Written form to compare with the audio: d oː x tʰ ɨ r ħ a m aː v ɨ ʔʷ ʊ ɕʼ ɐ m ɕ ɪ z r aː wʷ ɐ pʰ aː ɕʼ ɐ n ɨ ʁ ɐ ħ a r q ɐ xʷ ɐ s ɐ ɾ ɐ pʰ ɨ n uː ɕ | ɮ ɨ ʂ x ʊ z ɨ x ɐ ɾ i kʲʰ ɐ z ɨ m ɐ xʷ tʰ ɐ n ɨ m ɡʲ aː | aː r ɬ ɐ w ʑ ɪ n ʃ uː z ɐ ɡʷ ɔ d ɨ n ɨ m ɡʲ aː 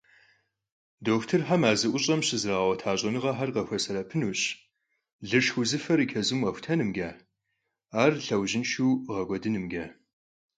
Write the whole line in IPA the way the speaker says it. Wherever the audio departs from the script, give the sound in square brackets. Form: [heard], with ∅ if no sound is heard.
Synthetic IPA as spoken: d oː x tʰ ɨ r ħ a m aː [z] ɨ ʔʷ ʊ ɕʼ ɐ m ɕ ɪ z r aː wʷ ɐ [tʰ] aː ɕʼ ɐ n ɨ ʁ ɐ ħ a r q ɐ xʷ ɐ s ɐ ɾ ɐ pʰ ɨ n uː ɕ | ɮ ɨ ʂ x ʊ z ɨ [f] ɐ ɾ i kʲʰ ɐ z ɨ m ɐ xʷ tʰ ɐ n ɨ m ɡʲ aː | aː r ɬ ɐ w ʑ ɪ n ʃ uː [ʁ] ɐ ɡʷ ɔ d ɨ n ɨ m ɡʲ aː